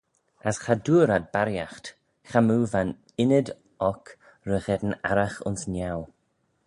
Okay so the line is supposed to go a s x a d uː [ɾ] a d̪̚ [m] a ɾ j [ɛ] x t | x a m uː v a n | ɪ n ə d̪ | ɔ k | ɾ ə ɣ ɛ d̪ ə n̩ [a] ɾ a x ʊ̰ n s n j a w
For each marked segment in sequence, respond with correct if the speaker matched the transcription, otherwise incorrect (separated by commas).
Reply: correct, incorrect, incorrect, correct